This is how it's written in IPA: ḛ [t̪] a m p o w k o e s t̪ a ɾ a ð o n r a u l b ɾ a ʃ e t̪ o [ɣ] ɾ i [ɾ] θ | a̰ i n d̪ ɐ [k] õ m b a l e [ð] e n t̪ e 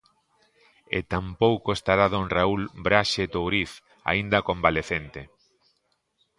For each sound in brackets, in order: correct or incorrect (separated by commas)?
correct, incorrect, incorrect, correct, incorrect